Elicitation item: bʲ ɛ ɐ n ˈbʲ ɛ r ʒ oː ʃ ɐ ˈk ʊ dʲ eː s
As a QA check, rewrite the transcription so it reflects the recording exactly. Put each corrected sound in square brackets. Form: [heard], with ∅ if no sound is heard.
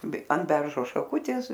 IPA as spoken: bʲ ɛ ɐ n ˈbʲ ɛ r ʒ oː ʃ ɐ ˈk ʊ [tʲ] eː s